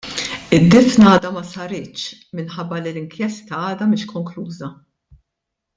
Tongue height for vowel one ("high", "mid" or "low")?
high